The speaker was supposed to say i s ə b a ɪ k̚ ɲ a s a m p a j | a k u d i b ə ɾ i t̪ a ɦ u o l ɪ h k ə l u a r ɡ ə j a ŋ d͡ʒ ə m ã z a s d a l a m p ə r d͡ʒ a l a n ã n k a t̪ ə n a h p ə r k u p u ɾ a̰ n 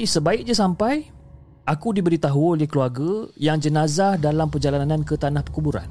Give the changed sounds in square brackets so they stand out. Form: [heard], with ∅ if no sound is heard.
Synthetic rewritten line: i s ə b a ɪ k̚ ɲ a s a m p a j | a k u d i b ə ɾ i t̪ a ɦ u o l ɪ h k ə l u a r ɡ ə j a ŋ d͡ʒ ə [n] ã z a [h] d a l a m p ə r d͡ʒ a l a n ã n k [ə] t̪ [a] n a h p ə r k u [b] u ɾ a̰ n